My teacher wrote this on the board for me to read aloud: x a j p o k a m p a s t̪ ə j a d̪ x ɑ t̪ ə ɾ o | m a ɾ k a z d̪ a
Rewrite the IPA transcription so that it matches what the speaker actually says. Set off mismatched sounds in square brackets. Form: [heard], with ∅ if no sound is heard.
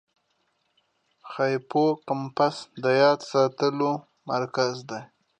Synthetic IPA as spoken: x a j p o k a m p a s [d̪] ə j [ɑ] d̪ [s] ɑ t̪ ə [l] o | m a ɾ k a z d̪ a